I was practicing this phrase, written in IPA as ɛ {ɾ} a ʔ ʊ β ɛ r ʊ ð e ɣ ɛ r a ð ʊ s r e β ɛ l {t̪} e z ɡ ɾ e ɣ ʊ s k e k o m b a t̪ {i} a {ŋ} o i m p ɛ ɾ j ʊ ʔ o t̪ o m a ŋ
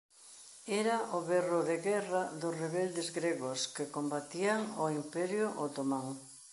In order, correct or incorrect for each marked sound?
correct, incorrect, correct, correct

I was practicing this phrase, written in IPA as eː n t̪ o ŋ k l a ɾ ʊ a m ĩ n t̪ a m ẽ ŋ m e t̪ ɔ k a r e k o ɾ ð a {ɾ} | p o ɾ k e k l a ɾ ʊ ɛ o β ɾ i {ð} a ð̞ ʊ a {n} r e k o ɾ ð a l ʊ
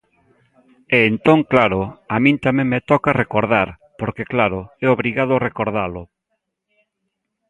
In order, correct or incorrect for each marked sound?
correct, incorrect, incorrect

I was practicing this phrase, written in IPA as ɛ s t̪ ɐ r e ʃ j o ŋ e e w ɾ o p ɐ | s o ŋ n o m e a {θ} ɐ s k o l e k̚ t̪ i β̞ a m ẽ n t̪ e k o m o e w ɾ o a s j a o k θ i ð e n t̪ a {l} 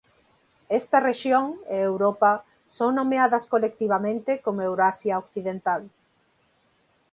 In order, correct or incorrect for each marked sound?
incorrect, correct

